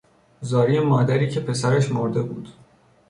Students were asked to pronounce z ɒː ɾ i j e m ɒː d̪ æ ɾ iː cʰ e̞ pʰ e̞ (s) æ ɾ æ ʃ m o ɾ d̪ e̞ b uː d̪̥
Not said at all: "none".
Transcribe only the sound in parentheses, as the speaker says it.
s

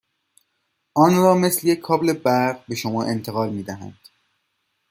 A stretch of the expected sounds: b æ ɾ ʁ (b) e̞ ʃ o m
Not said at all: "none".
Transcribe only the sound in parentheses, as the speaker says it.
b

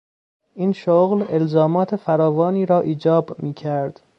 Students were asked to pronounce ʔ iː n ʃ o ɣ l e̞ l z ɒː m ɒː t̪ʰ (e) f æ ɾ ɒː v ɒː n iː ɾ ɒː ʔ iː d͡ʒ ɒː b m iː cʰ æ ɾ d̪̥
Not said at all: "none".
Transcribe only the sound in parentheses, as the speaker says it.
e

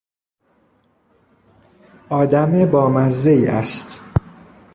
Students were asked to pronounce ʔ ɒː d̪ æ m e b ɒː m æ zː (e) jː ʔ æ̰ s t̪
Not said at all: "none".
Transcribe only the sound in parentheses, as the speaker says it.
e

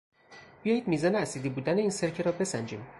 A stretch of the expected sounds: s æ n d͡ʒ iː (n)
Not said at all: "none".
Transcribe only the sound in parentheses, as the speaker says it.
m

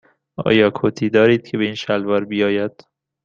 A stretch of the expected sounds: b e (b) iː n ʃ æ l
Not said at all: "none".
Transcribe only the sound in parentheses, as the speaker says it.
none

